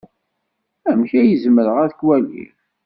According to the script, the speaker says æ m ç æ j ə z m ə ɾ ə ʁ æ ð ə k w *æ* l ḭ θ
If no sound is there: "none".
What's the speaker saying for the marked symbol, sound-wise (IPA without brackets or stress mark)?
æ